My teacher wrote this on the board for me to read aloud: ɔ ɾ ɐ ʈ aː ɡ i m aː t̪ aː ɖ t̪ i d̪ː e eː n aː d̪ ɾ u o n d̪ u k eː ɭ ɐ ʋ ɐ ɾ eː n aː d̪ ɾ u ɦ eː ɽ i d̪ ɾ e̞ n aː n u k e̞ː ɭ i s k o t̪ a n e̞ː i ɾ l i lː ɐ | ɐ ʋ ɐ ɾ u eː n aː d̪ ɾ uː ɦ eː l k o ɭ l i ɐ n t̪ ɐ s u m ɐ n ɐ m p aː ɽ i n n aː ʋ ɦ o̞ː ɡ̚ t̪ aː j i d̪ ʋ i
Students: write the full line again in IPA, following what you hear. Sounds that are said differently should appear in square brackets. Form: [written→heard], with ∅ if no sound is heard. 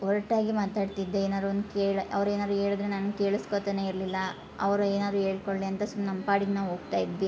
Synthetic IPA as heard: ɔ ɾ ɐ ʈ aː ɡ i m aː t̪ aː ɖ t̪ i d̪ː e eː n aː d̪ ɾ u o n d̪ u k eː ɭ ɐ ʋ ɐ ɾ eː n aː d̪ ɾ u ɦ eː [ɽ→ɭ] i d̪ ɾ e̞ n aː n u k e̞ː ɭ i s k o t̪ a n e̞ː i ɾ l i lː ɐ | ɐ ʋ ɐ ɾ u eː n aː d̪ ɾ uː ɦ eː [l→ɭ] k o ɭ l i ɐ n t̪ ɐ s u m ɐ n ɐ m p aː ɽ i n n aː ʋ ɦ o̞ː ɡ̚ t̪ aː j i d̪ ʋ i

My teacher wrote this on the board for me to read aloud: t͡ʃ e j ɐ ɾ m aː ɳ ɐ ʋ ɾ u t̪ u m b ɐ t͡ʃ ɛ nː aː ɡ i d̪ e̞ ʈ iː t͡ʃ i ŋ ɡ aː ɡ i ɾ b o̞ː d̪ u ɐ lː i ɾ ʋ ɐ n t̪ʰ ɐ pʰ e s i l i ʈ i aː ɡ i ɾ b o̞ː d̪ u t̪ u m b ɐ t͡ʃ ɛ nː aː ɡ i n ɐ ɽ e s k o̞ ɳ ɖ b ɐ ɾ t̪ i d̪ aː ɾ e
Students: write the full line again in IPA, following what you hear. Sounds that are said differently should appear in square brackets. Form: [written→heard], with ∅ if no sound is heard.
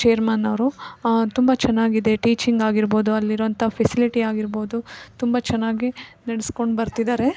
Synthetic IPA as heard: t͡ʃ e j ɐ ɾ m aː [ɳ→n] ɐ ʋ ɾ u t̪ u m b ɐ t͡ʃ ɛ nː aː ɡ i d̪ e̞ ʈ iː t͡ʃ i ŋ ɡ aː ɡ i ɾ b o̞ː d̪ u ɐ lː i ɾ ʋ ɐ n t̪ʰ ɐ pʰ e s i l i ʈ i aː ɡ i ɾ b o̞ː d̪ u t̪ u m b ɐ t͡ʃ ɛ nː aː ɡ i n ɐ ɽ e s k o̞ ɳ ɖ b ɐ ɾ t̪ i d̪ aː ɾ e

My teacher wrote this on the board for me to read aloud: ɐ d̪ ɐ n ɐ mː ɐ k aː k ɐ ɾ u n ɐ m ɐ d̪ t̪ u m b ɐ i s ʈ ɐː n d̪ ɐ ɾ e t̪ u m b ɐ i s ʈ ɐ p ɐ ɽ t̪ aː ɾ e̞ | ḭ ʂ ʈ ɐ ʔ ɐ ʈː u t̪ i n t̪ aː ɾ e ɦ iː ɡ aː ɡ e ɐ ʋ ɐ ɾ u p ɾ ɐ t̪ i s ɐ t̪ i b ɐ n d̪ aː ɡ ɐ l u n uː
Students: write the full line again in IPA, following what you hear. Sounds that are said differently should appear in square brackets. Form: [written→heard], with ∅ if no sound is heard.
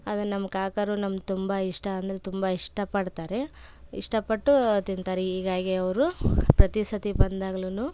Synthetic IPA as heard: ɐ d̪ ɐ n ɐ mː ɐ k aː k ɐ ɾ u n ɐ m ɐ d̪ t̪ u m b ɐ i [s→ʂ] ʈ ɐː n d̪ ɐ ɾ e t̪ u m b ɐ i [s→ʂ] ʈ ɐ p ɐ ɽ t̪ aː ɾ e̞ | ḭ ʂ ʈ ɐ [ʔ→p] ɐ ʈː u t̪ i n t̪ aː ɾ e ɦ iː ɡ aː ɡ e ɐ ʋ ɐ ɾ u p ɾ ɐ t̪ i s ɐ t̪ i b ɐ n d̪ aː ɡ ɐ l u n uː

